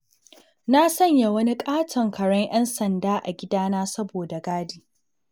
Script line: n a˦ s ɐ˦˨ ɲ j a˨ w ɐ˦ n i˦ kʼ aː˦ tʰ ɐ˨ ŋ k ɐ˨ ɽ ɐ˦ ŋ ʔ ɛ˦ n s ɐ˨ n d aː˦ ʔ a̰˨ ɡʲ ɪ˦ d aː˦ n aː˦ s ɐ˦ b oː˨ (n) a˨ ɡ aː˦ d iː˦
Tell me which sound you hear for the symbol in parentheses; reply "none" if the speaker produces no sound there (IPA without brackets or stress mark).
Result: d